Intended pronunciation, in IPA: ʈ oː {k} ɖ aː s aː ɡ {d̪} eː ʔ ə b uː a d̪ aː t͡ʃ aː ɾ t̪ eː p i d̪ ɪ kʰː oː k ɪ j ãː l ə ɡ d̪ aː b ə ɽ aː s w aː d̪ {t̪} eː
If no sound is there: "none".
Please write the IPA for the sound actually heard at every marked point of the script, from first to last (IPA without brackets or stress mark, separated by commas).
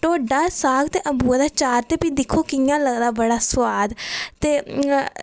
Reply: none, t̪, t̪